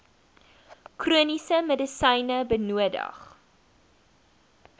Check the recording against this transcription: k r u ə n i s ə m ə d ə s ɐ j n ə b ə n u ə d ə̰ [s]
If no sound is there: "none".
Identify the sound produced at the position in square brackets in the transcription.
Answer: χ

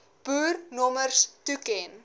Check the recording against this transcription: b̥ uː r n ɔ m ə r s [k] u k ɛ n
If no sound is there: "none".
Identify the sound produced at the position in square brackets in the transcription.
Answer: t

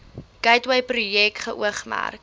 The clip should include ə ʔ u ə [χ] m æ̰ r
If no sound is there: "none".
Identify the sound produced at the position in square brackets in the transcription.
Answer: χ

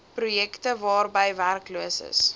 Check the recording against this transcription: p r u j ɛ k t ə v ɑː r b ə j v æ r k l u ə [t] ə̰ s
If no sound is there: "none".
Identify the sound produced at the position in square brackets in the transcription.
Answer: s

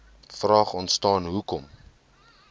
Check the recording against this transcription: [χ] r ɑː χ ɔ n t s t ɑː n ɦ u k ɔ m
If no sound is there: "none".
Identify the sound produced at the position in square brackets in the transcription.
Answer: f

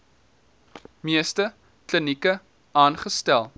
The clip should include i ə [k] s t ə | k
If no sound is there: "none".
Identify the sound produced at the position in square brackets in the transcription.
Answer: none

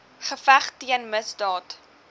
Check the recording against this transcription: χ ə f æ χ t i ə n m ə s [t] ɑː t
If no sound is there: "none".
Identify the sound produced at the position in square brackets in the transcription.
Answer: d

